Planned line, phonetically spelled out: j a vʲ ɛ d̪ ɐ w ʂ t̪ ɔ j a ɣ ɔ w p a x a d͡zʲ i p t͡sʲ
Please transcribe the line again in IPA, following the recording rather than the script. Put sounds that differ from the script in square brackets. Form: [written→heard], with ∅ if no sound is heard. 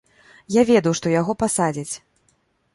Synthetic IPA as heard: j a vʲ ɛ d̪ ɐ w ʂ t̪ ɔ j a ɣ ɔ [w→∅] p a [x→s] a d͡zʲ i [p→∅] t͡sʲ